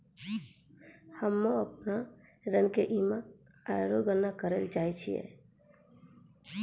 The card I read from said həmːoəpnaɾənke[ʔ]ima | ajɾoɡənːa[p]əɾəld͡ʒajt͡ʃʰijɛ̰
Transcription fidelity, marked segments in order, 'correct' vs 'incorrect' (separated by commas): correct, incorrect